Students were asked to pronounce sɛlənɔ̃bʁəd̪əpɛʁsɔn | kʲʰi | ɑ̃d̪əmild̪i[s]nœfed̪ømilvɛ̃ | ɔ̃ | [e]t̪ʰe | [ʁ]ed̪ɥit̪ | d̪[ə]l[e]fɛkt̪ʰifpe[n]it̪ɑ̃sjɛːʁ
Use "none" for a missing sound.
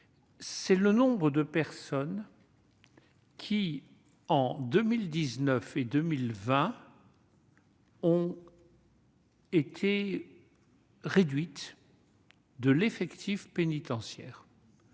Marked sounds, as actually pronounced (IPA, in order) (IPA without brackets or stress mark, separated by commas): z, e, ʁ, ə, e, n